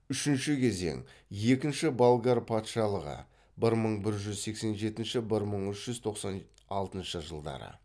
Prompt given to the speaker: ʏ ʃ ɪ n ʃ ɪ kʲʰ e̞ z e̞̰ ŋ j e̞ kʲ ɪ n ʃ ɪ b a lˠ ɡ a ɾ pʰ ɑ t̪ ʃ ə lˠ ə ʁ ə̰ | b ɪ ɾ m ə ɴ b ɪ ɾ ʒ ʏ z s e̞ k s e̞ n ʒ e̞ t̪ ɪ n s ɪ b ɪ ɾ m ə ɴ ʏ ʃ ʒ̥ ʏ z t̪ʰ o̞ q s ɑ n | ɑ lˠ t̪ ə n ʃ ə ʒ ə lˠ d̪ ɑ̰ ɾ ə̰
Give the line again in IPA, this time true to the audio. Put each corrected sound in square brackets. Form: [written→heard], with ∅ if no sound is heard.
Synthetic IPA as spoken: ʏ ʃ ɪ n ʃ ɪ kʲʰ e̞ z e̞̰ ŋ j e̞ kʲ ɪ n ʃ ɪ b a lˠ ɡ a ɾ pʰ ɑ t̪ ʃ [ə→ɑ] lˠ ə ʁ ə̰ | b ɪ ɾ m ə ɴ b ɪ ɾ ʒ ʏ z s e̞ k s e̞ n ʒ e̞ t̪ ɪ n [s→ʃ] ɪ b ɪ ɾ m ə ɴ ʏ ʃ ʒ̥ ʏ z t̪ʰ o̞ q s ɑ n | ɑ lˠ t̪ ə n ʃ ə ʒ ə lˠ d̪ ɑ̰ ɾ ə̰